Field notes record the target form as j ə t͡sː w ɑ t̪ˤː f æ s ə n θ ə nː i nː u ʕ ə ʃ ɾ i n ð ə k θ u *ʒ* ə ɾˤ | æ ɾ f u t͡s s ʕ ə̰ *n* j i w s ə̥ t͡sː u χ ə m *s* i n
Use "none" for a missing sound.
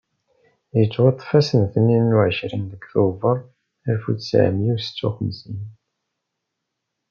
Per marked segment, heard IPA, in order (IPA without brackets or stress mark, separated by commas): v, m, s